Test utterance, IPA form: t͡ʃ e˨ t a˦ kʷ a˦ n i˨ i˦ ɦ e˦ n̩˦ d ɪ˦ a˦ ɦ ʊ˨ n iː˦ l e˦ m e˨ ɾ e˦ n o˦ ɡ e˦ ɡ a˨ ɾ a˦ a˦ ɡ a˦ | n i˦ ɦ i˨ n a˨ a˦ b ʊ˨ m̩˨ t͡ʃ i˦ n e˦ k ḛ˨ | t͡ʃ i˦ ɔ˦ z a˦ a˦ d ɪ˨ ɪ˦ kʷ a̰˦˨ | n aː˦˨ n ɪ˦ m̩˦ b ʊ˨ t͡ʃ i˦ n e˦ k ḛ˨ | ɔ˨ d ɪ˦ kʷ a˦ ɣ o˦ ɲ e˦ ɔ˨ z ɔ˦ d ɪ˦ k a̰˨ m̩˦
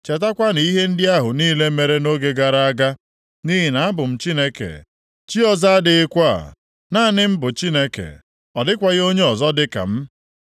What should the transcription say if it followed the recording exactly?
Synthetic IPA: t͡ʃ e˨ t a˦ kʷ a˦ n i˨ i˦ ɦ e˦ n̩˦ d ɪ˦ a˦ ɦ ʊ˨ n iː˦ l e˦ m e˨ ɾ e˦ n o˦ ɡ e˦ ɡ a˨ ɾ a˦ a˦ ɡ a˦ | n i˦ ɦ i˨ n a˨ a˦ b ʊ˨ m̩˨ t͡ʃ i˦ n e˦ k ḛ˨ | t͡ʃ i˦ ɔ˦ z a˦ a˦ d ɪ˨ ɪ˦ kʷ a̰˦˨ | n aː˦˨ n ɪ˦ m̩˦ b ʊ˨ t͡ʃ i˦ n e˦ k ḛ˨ | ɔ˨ d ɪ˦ kʷ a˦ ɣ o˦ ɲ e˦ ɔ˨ z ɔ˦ d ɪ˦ k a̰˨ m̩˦